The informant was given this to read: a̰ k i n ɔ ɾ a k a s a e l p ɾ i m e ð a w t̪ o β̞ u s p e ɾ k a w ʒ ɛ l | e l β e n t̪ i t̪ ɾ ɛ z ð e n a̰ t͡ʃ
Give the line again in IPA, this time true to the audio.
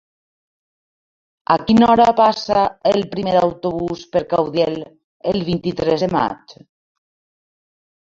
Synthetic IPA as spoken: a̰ k i n ɔ ɾ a p a s a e l p ɾ i m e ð a w t̪ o β̞ u s p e ɾ k a w ð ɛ l | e l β i n t̪ i t̪ ɾ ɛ z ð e m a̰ t͡ʃ